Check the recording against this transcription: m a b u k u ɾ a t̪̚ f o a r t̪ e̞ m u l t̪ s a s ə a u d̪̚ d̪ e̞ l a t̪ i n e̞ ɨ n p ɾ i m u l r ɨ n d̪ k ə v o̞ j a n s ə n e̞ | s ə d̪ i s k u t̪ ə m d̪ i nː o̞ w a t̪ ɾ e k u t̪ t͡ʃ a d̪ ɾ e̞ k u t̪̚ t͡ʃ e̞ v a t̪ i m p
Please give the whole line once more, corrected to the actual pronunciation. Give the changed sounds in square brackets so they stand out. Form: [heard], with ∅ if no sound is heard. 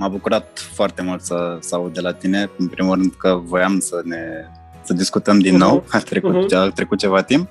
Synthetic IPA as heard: m a b u k u ɾ a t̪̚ f o a r t̪ e̞ m u l t̪ s [ə] s ə a u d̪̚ d̪ e̞ l a t̪ i n e̞ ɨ n p ɾ i m u l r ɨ n d̪ k ə v o̞ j a [m] s ə n e̞ | s ə d̪ i s k u t̪ ə m d̪ i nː o̞ w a t̪ ɾ e k u t̪ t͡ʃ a [t̪] ɾ e̞ k u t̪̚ t͡ʃ e̞ v a t̪ i m p